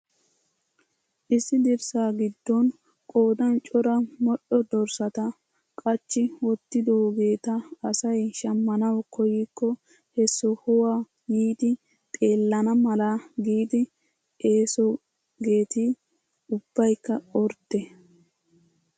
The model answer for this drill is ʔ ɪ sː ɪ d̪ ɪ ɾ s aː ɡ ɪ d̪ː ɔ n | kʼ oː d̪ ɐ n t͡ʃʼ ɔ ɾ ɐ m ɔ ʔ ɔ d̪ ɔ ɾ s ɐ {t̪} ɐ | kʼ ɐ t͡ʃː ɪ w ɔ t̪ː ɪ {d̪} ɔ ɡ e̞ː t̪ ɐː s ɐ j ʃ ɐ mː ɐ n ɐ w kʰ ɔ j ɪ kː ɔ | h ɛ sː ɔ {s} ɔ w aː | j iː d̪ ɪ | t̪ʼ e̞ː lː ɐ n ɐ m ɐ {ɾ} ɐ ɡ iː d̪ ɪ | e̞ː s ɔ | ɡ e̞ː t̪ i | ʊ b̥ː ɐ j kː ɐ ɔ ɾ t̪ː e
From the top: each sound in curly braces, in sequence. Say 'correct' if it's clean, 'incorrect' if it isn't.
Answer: correct, correct, incorrect: h, incorrect: l

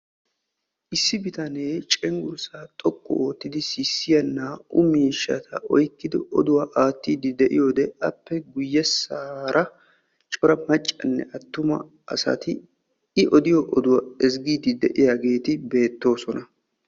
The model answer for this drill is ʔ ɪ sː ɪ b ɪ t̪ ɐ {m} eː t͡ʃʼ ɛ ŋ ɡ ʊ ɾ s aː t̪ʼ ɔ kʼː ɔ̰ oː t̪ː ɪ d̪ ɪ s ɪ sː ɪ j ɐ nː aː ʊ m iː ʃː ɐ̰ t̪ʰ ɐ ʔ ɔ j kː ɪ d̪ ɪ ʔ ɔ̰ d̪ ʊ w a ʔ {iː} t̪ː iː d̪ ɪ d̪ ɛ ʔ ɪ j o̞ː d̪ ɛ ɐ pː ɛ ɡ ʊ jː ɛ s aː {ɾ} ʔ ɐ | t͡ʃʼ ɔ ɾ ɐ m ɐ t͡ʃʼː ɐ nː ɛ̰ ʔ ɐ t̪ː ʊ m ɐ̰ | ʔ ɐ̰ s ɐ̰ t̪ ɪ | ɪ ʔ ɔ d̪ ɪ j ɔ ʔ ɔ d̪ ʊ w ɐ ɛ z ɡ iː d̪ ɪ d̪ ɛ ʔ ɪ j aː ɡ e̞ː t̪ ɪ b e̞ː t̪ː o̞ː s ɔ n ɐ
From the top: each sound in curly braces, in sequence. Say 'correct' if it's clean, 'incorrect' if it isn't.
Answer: incorrect: n, incorrect: aː, correct

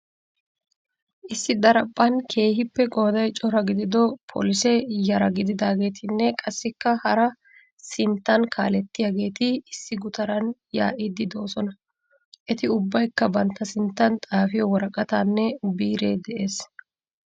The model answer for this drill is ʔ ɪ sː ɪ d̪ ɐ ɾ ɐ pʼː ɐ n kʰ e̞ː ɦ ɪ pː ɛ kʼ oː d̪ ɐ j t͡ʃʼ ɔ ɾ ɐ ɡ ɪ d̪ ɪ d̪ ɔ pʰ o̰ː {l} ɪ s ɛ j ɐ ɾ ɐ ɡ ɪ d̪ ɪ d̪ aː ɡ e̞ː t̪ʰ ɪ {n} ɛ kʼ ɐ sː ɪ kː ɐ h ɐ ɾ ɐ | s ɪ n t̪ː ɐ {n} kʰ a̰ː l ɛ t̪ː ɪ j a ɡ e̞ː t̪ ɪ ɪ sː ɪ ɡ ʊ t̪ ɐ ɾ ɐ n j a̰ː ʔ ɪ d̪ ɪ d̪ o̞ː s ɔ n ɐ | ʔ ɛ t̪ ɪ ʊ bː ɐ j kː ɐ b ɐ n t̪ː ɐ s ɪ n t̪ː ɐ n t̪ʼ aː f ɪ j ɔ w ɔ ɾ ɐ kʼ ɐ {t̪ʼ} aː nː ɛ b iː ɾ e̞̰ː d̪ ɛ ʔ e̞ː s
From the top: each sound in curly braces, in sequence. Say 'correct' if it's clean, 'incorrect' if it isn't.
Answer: correct, incorrect: nː, correct, incorrect: t̪

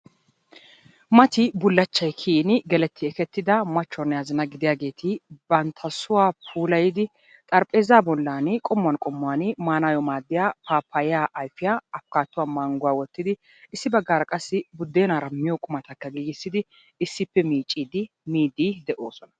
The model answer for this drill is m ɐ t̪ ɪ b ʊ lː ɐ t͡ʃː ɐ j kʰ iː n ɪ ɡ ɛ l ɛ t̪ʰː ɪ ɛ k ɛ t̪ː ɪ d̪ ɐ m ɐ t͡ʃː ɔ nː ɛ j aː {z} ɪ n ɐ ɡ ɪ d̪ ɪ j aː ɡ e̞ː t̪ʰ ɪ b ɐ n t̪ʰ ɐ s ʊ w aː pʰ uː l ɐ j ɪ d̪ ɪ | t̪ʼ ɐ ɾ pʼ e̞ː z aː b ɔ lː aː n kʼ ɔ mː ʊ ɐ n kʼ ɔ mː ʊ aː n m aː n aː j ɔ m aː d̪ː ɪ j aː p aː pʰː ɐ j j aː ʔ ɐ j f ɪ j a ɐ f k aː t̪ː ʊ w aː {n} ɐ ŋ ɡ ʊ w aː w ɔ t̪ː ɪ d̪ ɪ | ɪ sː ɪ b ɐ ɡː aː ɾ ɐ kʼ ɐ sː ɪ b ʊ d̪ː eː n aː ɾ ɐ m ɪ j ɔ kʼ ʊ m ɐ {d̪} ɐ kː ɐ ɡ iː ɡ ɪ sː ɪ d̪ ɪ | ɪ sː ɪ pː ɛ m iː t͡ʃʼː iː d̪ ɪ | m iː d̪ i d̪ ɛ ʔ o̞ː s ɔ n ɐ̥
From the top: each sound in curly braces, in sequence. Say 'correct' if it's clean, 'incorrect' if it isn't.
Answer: correct, incorrect: m, incorrect: t̪

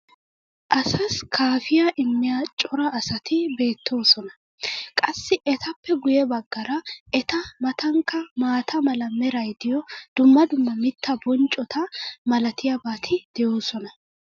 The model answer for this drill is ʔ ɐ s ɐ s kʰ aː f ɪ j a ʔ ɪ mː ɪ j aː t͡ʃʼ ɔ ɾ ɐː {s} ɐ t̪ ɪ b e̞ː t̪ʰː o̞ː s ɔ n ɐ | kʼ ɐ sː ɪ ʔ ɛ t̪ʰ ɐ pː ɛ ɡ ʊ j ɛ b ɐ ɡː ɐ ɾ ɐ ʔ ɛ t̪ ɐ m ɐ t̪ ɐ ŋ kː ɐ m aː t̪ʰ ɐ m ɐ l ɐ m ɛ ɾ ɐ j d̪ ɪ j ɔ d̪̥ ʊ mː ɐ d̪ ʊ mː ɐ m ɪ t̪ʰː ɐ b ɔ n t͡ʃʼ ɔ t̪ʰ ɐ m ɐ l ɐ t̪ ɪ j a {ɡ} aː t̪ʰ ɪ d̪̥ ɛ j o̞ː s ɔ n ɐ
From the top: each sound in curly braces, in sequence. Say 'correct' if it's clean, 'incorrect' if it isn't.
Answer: correct, incorrect: b

